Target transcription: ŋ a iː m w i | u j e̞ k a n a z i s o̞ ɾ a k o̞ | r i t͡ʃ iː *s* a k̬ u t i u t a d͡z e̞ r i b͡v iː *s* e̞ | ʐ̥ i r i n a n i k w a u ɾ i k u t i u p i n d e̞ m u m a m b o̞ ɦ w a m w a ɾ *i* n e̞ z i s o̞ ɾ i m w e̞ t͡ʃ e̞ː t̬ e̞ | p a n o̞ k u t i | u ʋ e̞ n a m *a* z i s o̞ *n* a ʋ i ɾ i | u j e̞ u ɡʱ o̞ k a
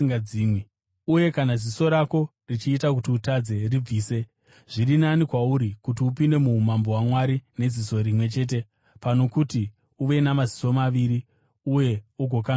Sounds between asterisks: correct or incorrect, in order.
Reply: incorrect: t, correct, correct, correct, incorrect: m

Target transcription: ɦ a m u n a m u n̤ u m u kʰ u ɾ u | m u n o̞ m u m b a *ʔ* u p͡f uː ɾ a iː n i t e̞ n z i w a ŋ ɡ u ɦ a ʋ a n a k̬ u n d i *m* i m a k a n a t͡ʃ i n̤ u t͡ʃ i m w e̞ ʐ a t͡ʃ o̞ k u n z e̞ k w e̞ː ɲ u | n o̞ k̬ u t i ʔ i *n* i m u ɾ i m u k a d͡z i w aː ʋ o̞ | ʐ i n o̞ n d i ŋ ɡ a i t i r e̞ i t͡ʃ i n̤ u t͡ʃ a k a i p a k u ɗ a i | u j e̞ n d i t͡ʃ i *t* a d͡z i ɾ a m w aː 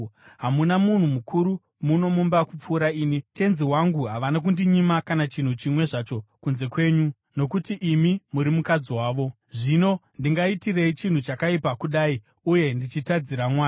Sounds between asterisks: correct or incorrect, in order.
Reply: incorrect: k, incorrect: ɲ, incorrect: m, correct

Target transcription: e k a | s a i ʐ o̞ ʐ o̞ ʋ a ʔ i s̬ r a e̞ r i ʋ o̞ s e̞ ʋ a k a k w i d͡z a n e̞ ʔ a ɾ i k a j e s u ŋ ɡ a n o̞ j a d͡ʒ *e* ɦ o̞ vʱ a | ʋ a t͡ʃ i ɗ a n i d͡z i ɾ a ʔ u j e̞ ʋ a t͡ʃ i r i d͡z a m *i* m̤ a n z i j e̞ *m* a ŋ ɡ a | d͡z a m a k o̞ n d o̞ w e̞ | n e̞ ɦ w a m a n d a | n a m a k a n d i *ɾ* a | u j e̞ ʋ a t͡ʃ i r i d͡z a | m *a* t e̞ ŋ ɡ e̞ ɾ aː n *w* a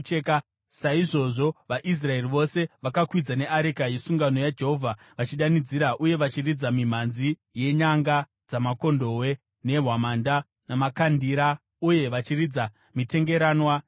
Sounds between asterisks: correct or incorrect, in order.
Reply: correct, correct, incorrect: ɲ, correct, incorrect: i, correct

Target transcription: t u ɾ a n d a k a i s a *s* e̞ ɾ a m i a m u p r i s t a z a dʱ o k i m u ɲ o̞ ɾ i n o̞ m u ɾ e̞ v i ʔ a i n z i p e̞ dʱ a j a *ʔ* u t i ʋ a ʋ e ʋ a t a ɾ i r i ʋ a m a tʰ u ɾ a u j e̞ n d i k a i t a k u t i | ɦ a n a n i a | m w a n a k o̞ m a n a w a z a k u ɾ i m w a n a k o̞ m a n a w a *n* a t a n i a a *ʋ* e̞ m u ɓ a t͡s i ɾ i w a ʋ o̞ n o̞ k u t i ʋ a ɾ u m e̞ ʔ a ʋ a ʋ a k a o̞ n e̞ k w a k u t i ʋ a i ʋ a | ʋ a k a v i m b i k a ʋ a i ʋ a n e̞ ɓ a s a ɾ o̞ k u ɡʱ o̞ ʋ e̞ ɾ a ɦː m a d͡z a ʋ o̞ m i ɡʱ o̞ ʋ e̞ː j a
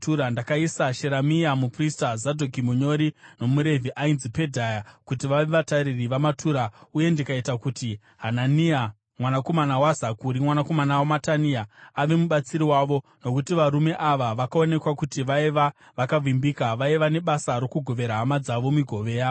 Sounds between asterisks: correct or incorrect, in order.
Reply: incorrect: ʃ, incorrect: k, incorrect: m, correct

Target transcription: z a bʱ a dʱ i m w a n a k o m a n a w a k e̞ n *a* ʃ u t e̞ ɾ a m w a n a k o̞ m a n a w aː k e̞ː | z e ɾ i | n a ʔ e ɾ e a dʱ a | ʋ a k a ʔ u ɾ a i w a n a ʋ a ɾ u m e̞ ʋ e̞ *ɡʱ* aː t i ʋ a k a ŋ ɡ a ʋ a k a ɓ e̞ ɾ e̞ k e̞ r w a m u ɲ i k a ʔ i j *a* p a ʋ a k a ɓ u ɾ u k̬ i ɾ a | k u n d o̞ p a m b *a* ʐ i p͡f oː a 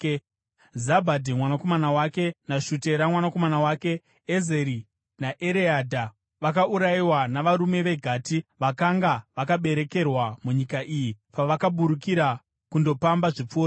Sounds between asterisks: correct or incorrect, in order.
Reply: correct, correct, incorrect: i, correct

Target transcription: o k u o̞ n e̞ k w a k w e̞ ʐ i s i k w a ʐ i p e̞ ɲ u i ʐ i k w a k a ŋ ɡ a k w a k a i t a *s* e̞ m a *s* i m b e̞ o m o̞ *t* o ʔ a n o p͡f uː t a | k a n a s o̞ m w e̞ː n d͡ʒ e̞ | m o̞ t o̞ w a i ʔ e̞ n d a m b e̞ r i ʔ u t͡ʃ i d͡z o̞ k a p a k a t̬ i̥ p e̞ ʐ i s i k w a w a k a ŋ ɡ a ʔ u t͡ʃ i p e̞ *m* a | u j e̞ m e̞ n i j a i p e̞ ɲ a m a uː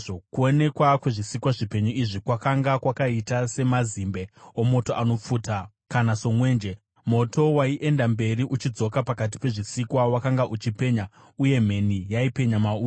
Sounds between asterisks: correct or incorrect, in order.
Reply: correct, incorrect: z, correct, incorrect: ɲ

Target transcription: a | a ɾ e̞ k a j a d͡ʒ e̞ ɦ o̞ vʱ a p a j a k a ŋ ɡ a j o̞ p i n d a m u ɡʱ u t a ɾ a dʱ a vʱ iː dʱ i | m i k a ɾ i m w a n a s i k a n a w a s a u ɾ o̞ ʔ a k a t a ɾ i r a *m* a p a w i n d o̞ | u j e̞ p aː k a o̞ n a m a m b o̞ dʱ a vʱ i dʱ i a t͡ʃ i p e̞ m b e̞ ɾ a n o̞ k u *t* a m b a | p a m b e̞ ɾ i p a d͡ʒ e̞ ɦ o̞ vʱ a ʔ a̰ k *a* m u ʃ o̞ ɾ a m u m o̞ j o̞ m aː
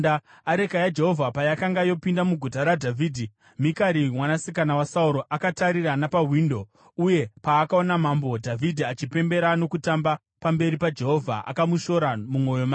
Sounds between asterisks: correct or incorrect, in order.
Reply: incorrect: n, correct, correct

